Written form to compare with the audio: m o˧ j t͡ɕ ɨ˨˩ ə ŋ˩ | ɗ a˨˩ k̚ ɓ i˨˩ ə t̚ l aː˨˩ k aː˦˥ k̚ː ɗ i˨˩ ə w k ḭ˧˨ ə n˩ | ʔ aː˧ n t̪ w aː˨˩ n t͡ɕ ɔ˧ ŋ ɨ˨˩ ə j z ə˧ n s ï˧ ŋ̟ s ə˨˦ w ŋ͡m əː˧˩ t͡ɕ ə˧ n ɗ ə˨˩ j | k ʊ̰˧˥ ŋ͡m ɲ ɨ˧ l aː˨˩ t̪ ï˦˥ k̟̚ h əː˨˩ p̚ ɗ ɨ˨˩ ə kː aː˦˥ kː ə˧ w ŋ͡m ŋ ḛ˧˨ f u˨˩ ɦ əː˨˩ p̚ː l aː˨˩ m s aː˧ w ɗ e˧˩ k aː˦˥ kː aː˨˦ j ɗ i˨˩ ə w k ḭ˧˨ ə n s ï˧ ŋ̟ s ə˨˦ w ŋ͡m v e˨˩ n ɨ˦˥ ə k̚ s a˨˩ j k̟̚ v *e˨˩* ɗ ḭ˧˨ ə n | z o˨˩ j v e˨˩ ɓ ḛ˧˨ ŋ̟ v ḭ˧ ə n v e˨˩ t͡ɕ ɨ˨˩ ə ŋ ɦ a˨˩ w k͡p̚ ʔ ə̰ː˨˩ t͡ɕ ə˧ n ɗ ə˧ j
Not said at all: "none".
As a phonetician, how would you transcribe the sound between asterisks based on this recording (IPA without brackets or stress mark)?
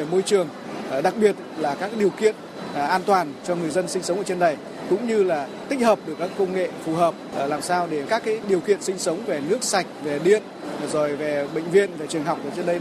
e˨˩